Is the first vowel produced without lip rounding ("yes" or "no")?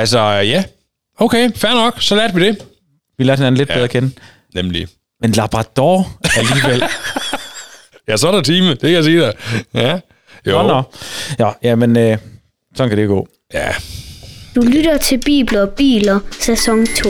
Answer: yes